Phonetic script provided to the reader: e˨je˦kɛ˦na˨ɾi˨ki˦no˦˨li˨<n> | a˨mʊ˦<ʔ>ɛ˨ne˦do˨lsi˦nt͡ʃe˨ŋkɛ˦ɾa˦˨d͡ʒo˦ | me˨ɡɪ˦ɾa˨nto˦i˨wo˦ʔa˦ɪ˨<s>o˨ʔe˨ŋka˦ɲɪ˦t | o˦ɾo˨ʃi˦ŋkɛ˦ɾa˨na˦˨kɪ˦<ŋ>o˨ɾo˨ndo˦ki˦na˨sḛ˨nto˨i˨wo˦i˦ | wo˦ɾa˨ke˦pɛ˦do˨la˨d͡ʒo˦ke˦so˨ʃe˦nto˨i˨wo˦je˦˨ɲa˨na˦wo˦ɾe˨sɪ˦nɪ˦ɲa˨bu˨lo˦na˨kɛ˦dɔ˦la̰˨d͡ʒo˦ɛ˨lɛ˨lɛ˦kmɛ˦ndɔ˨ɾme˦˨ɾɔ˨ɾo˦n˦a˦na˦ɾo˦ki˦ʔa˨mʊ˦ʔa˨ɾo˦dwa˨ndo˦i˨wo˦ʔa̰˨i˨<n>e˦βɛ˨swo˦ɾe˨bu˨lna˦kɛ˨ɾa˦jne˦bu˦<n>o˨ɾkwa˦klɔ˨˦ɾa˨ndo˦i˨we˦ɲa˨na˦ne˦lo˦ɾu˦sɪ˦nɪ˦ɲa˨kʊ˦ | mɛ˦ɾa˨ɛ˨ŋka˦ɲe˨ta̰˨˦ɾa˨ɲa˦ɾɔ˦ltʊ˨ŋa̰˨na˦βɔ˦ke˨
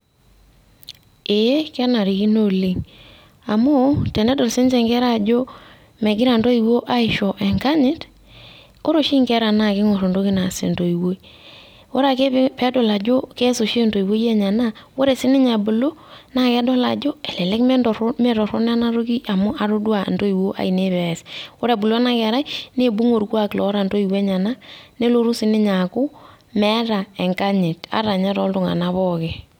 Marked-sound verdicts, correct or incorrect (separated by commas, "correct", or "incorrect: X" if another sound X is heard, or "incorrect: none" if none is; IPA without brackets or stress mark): incorrect: ŋ, incorrect: t, incorrect: ʃ, correct, correct, incorrect: ŋ